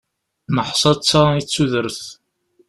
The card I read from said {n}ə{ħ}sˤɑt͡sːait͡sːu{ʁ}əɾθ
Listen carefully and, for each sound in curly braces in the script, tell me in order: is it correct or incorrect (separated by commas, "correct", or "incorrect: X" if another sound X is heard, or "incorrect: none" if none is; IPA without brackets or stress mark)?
incorrect: m, correct, incorrect: ð